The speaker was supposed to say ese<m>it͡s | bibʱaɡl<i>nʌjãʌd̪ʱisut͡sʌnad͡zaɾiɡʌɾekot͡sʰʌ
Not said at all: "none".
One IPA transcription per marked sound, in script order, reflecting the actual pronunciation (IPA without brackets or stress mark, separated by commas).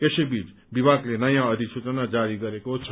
b, e